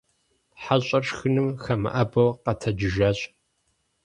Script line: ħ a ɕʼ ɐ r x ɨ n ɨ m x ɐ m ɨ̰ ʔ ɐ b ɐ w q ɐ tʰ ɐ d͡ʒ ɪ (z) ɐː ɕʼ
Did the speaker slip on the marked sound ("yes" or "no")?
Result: yes